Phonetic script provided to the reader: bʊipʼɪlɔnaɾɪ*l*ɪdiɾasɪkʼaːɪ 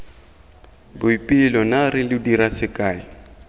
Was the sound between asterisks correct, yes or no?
yes